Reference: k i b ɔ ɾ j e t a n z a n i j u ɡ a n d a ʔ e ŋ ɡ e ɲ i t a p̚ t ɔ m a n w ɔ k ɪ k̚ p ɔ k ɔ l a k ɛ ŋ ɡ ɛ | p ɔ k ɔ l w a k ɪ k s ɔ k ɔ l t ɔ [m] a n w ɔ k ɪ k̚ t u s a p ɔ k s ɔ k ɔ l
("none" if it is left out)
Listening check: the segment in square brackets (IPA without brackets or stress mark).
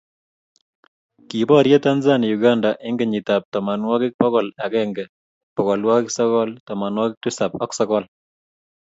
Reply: m